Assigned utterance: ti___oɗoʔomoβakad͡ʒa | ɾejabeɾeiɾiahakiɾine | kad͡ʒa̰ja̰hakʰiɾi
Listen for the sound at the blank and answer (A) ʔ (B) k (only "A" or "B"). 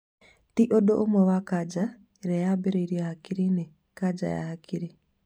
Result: A